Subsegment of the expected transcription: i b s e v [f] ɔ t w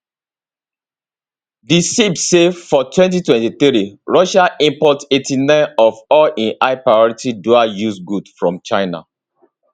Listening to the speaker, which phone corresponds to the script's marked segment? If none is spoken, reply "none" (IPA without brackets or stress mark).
f